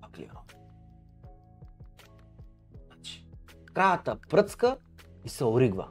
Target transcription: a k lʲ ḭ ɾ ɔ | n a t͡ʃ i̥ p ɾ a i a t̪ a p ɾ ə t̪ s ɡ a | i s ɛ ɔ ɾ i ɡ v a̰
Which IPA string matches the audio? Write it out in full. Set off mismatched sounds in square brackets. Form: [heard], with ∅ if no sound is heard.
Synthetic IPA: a k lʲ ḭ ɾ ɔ | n a t͡ʃ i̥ [k] ɾ a [j] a t̪ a p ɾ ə t̪ s [k] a | i s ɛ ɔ ɾ i ɡ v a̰